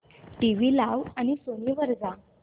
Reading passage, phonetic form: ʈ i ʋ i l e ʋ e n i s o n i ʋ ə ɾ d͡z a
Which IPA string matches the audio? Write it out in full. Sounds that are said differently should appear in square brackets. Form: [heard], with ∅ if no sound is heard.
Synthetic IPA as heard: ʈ i ʋ i l [a] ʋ [a] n i s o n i ʋ ə ɾ d͡z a